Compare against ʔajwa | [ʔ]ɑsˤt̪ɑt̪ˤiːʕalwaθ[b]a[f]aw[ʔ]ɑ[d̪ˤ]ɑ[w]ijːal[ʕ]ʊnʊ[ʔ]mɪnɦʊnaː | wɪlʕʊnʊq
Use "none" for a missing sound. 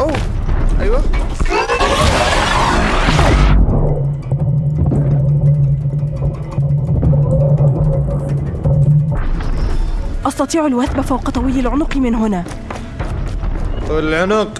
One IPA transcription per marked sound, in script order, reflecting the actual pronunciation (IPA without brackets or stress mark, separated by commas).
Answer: ʔ, b, f, q, t̪ˤ, w, ʕ, q